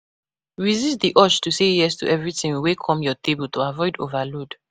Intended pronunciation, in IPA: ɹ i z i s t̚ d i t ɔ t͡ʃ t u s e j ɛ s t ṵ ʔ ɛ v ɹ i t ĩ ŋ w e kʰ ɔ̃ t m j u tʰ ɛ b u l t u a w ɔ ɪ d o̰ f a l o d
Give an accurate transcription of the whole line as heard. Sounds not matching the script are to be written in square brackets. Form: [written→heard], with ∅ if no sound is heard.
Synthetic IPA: ɹ i z i s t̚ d i [t→ʔ] ɔ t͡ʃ t u s e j ɛ s t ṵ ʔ ɛ v ɹ i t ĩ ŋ w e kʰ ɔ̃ [t→∅] m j [u→ɔ] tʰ [ɛ→e] b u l t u a [w→v] ɔ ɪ d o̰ [f→v] a l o d